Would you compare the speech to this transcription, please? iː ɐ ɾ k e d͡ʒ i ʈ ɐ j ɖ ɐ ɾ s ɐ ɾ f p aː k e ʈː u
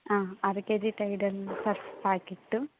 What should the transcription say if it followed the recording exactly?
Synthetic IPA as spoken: aː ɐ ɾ k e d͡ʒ i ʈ ɐ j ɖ ɐ l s ɐ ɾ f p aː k i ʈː u